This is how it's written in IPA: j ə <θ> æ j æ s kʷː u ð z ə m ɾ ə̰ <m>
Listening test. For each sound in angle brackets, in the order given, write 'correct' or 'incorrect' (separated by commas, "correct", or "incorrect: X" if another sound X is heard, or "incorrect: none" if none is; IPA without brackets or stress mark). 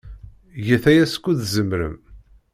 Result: correct, correct